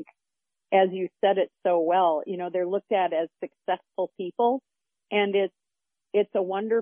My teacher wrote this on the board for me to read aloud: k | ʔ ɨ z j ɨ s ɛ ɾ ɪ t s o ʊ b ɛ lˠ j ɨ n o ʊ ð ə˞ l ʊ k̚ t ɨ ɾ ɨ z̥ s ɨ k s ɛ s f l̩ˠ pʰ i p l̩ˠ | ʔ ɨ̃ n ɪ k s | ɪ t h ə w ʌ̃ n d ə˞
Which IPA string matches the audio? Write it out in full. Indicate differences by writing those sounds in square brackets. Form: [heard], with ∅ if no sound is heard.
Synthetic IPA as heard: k | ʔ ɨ z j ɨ s ɛ ɾ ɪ t s o ʊ [w] ɛ lˠ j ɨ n o ʊ ð ə˞ l ʊ k̚ t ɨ ɾ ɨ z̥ s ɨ k s ɛ s f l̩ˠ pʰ i p l̩ˠ | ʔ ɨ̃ n ɪ [t] s | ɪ t [s] ə w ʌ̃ n d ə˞